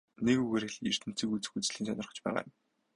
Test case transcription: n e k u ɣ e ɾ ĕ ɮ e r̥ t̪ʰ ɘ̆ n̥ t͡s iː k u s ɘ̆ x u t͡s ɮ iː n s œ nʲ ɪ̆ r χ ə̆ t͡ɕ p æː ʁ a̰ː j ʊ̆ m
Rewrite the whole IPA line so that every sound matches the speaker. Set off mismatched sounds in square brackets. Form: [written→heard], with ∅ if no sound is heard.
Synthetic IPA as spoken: n e k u ɣ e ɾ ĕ ɮ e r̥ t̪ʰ ɘ̆ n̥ t͡s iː k u [s→t͡s] ɘ̆ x u t͡s ɮ iː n s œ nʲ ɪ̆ r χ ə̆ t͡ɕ p æː ʁ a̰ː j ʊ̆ m